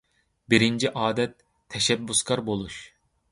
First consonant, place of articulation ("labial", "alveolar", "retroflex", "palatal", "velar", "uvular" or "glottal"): labial